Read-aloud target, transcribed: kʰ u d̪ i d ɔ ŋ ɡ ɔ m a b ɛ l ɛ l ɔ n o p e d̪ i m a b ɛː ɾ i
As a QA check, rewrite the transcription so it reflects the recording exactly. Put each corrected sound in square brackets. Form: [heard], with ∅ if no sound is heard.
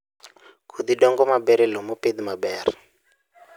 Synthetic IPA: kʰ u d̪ i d ɔ ŋ ɡ ɔ m a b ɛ [ɾ] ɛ l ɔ [m] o p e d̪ i m a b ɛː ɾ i